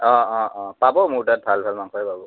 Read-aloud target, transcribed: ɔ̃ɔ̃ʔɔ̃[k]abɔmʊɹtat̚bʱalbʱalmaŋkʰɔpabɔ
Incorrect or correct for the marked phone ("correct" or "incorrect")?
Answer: incorrect